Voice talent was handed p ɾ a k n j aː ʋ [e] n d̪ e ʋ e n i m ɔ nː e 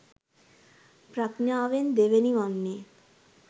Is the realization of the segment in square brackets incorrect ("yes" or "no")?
no